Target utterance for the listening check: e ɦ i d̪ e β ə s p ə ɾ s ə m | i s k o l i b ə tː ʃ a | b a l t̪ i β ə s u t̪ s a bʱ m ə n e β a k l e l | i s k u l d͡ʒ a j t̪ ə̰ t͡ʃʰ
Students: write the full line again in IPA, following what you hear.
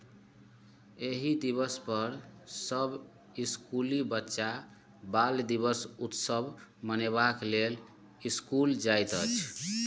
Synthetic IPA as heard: e ɦ i d̪ i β ə s p ə ɾ s ə b | i s k u l i b ə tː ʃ a | b a l d̪ i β ə s u t̪ s ə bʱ m ə n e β a k l e l | i s k u l d͡ʒ a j t̪ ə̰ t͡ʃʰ